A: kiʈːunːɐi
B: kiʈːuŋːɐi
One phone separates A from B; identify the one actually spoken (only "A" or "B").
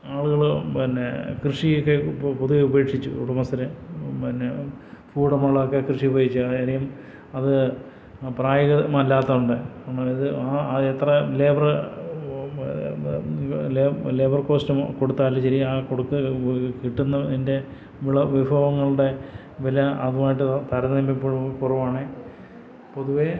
A